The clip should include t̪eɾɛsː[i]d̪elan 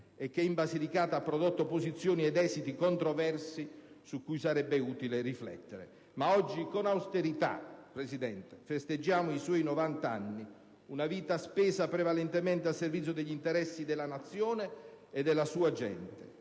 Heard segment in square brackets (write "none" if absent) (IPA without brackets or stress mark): i